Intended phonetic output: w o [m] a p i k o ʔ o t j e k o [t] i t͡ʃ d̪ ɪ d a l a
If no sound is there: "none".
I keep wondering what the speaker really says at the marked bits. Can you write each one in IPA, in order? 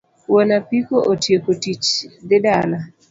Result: n, t

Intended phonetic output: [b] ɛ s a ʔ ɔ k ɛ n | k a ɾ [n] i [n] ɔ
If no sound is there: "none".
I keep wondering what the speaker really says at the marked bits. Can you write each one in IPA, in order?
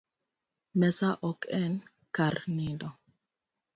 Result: m, n, d

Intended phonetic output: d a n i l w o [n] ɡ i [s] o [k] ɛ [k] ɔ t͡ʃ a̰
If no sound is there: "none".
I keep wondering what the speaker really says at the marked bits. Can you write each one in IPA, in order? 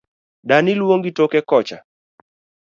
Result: ŋ, t, k, k

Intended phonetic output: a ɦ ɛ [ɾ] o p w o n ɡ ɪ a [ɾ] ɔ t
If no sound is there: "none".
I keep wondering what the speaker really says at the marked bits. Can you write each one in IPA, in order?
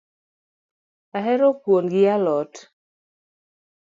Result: ɾ, l

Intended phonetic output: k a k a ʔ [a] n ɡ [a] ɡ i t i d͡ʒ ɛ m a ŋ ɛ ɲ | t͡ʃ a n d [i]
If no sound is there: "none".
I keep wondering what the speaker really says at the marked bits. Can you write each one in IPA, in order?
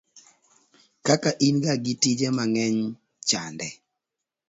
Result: i, a, ɛ

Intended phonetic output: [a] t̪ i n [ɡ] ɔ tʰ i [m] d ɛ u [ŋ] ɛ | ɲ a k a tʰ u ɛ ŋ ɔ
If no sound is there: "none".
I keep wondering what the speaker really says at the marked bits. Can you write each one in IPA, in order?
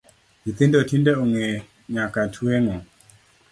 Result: i, d, n, ŋ

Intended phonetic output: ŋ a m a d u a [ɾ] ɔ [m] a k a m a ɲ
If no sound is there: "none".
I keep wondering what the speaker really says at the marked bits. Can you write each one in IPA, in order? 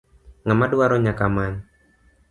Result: ɾ, ɲ

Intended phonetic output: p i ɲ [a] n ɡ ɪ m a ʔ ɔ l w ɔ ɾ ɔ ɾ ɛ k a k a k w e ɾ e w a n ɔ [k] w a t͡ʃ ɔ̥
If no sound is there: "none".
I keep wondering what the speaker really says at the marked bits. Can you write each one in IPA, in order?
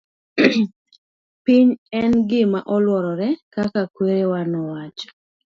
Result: ɛ, none

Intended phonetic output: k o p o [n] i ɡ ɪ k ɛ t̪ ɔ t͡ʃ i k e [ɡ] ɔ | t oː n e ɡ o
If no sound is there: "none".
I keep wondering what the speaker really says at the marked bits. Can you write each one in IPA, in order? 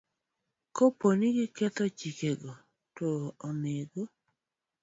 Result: n, ɡ

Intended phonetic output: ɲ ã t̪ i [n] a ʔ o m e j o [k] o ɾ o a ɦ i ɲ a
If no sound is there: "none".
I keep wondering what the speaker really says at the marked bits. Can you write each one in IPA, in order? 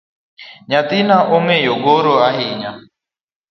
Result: n, ɡ

